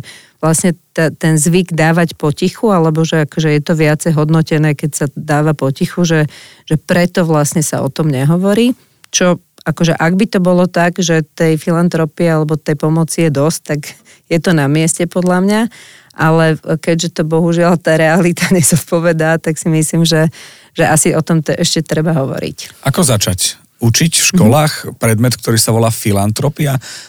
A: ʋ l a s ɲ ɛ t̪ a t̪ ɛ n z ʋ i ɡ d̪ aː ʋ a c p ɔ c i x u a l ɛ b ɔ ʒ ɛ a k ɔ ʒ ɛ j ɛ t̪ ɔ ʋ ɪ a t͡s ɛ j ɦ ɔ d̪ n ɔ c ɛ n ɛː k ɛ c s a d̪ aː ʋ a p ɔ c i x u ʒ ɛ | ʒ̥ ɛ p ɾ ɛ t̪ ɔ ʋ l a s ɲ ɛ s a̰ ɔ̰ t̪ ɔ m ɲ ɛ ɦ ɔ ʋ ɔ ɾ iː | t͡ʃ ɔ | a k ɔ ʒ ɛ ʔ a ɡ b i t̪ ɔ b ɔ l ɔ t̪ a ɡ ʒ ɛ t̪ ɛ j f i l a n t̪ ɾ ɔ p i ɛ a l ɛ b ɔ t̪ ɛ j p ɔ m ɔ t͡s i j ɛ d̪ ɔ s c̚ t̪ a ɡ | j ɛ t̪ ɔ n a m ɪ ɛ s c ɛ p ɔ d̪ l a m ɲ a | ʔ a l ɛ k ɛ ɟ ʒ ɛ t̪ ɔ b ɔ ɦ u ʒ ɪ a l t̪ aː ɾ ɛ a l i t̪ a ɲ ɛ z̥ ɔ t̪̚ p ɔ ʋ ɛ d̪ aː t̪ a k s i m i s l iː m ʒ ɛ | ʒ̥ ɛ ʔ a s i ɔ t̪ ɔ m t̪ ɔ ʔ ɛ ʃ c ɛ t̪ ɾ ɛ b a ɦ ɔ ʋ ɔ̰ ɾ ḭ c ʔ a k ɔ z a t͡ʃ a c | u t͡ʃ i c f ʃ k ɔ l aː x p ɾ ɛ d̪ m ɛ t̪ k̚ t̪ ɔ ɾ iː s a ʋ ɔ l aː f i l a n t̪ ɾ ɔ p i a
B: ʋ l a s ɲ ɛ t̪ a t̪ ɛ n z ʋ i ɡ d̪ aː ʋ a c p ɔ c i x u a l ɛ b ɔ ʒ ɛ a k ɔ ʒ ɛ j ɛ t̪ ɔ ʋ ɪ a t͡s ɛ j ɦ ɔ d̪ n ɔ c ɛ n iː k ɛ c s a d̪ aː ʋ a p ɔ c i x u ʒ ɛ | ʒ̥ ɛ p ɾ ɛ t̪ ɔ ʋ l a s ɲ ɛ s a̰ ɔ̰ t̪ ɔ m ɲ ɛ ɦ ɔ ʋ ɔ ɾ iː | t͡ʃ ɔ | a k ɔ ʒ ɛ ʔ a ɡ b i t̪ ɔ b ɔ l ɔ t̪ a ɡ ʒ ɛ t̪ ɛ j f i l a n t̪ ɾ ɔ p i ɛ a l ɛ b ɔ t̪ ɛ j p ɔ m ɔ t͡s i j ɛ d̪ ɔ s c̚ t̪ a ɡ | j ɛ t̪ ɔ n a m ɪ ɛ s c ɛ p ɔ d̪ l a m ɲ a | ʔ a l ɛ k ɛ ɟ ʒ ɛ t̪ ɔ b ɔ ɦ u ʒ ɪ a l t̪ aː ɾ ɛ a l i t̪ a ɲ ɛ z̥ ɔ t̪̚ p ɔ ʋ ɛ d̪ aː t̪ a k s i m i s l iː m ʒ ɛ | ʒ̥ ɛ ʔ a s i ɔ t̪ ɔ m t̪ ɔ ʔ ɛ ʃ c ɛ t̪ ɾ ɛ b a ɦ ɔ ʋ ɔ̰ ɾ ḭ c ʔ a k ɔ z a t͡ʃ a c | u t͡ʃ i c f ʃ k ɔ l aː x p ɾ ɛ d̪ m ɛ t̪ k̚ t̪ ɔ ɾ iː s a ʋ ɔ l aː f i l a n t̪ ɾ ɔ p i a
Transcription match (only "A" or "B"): A